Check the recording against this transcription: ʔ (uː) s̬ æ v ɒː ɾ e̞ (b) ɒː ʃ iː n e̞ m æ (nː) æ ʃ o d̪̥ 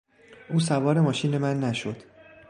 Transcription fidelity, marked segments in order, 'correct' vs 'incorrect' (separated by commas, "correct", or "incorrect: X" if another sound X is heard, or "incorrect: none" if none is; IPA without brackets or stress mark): correct, incorrect: m, correct